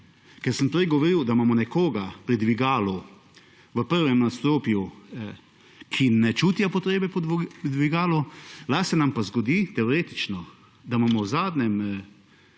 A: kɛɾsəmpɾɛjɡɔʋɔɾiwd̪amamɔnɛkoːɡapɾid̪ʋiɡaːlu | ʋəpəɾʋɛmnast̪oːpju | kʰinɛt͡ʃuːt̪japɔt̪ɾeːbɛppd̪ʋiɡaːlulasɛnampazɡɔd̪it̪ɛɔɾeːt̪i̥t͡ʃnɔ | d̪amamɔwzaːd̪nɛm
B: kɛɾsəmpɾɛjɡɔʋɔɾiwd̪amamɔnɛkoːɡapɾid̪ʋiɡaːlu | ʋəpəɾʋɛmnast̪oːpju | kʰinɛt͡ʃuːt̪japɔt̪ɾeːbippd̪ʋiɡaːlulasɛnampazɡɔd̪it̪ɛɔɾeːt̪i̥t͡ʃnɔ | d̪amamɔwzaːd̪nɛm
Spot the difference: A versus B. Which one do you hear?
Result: A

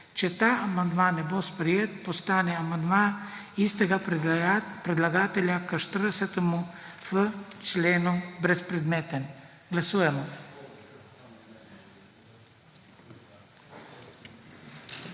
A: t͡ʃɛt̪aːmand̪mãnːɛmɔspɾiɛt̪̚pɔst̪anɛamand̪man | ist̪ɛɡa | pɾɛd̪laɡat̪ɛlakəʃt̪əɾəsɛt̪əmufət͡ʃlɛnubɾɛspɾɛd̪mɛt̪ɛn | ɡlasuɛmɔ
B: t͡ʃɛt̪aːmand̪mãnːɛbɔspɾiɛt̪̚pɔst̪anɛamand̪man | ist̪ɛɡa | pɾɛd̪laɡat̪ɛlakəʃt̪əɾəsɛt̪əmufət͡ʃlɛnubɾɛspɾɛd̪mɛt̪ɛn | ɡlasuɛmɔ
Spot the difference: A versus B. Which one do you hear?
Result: B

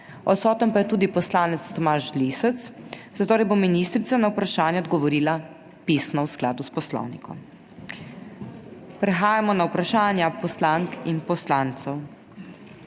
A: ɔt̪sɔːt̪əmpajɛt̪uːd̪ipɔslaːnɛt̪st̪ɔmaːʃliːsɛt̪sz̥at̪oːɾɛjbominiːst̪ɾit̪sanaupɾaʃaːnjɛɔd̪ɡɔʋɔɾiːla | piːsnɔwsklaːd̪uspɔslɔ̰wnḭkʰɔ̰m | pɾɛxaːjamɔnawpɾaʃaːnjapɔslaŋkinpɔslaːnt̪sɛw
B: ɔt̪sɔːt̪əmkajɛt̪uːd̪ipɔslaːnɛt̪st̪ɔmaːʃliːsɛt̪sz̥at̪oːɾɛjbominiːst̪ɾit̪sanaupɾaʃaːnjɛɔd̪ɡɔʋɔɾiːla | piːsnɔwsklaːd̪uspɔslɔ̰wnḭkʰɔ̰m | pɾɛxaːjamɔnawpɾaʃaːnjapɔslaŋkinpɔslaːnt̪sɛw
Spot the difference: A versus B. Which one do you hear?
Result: A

